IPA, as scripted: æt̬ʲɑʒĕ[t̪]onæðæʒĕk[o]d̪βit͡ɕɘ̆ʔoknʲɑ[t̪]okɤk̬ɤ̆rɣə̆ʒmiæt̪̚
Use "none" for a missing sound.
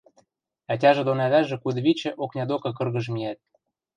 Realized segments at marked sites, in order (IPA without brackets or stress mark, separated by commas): d̪, u, d̪